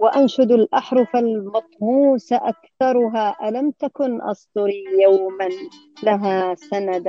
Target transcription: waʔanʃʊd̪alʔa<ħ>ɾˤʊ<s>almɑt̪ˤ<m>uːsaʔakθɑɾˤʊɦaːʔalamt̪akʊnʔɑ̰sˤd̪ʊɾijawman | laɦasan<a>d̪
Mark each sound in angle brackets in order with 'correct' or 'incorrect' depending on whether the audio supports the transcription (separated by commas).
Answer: correct, incorrect, correct, correct